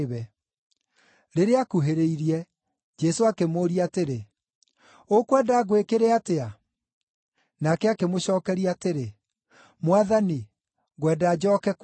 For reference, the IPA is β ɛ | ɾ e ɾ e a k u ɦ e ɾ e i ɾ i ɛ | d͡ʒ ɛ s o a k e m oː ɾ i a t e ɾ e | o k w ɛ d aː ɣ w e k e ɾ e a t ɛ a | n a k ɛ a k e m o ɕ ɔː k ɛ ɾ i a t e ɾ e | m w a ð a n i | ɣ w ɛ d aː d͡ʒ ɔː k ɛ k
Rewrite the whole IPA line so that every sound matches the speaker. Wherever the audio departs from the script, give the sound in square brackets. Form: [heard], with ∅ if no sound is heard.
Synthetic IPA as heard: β ɛ | ɾ e ɾ e a k u ɦ e ɾ e i ɾ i ɛ | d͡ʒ ɛ s o a k e m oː ɾ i a t e ɾ e | o k w ɛ d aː ɣ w e k e ɾ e a t [e] a | n a k ɛ a k e m o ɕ ɔː k ɛ ɾ i a t e ɾ e | m w a ð a n i | ɣ w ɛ d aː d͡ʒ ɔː k ɛ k